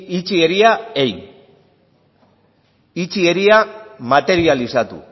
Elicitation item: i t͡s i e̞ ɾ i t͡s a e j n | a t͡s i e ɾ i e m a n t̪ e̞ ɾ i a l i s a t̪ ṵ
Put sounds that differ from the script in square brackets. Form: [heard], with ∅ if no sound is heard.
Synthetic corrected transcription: i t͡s i e̞ ɾ i [∅] a e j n | [i] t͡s i e ɾ i [a] m a [∅] t̪ e̞ ɾ i a l i s a t̪ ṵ